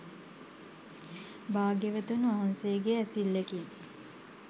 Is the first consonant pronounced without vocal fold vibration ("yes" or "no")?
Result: no